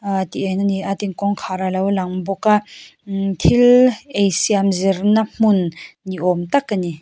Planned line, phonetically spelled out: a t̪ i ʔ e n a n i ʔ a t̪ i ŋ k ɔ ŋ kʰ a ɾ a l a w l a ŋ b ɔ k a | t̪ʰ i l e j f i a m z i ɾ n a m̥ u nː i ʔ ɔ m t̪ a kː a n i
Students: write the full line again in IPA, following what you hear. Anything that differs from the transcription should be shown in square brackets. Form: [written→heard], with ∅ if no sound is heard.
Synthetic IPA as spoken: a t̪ i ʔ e n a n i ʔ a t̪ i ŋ k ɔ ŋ kʰ a ɾ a l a w l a ŋ b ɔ k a | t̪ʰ i l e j [f→s] i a m z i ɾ n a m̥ u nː i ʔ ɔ m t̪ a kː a n i